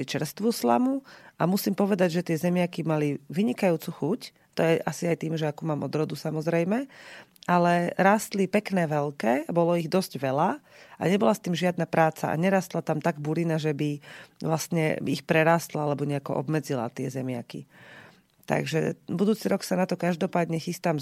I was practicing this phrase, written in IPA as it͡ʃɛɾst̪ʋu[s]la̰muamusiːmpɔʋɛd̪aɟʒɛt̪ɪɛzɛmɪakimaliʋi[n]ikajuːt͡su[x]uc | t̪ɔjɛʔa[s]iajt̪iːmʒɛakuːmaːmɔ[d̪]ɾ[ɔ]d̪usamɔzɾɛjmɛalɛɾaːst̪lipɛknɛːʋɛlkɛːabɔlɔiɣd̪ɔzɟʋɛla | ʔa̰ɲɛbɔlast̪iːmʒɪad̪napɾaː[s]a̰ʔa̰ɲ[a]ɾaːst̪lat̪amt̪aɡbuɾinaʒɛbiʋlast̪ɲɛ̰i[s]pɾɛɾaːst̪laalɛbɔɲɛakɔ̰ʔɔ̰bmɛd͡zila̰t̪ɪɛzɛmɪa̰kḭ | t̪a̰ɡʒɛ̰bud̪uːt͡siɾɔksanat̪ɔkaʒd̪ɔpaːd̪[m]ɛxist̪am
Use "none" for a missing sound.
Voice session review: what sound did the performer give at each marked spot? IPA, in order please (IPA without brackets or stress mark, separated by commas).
s, ɲ, x, s, d̪, ɔ, t͡s, ɛ, x, ɲ